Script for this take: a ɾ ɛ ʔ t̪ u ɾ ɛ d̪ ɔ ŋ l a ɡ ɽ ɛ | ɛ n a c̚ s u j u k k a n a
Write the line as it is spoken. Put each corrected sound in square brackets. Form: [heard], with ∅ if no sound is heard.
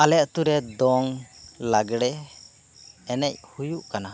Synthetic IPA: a [l] ɛ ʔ t̪ u ɾ ɛ d̪ ɔ ŋ l a ɡ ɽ ɛ | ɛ n [ɛ] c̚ [h] u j u [ʔ] k a n a